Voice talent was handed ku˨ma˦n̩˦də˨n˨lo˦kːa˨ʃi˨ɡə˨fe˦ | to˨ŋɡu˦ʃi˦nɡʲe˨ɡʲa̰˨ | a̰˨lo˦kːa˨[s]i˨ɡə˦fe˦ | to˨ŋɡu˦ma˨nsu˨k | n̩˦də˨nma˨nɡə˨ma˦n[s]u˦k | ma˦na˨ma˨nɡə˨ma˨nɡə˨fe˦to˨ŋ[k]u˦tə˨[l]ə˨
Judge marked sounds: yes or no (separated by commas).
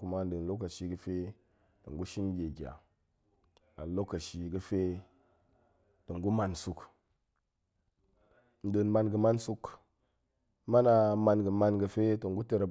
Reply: no, yes, no, no